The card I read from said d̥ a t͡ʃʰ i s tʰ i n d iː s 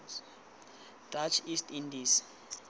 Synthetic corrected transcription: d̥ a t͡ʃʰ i s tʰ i n d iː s